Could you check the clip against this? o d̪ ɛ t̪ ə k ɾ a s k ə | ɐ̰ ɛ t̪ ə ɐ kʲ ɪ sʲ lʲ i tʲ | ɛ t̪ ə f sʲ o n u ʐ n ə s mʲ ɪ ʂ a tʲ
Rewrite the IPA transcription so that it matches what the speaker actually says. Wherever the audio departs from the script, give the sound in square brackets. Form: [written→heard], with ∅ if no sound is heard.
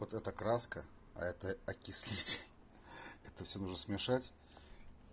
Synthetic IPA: o [d̪→t̪] ɛ t̪ ə k ɾ a s k ə | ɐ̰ ɛ t̪ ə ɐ kʲ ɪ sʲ lʲ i tʲ | ɛ t̪ ə f sʲ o n u ʐ n ə s mʲ ɪ ʂ a tʲ